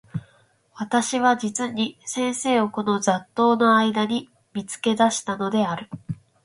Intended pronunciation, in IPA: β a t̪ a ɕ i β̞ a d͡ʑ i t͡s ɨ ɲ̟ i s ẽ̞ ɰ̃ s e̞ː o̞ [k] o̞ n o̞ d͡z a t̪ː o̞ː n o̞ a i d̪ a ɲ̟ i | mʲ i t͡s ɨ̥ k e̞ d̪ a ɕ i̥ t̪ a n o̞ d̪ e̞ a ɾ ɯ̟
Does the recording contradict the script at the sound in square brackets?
no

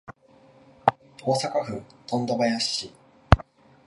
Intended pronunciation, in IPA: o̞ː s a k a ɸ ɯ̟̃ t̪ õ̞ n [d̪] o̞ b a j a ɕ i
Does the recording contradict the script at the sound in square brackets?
no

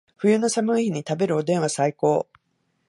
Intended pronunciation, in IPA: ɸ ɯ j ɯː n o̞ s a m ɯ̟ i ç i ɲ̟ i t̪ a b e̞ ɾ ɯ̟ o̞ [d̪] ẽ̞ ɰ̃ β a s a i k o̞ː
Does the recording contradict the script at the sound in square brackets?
no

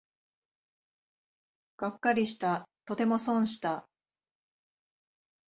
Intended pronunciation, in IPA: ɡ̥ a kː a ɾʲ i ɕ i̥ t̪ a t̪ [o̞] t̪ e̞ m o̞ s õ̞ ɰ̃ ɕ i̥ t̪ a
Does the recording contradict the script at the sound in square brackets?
no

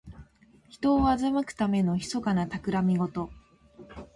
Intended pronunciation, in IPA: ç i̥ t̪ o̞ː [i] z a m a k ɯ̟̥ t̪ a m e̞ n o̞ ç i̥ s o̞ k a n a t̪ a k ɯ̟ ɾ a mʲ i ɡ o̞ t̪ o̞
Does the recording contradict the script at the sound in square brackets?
yes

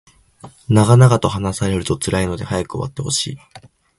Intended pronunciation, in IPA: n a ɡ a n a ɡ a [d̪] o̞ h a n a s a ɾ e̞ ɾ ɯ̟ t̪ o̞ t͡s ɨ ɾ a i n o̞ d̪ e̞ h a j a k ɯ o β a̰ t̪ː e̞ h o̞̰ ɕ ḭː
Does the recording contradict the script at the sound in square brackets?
yes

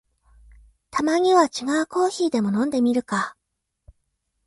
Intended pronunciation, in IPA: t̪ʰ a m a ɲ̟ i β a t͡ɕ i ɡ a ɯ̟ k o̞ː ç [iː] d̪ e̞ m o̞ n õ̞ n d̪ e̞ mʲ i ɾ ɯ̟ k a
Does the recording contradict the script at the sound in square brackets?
no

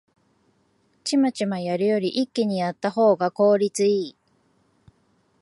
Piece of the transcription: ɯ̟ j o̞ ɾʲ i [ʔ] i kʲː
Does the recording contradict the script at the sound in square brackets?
no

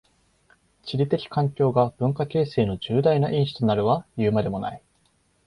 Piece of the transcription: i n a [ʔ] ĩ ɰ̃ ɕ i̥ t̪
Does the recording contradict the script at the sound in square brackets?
no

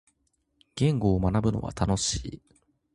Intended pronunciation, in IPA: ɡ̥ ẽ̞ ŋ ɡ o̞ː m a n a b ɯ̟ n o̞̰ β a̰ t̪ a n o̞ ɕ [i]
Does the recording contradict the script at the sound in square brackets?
yes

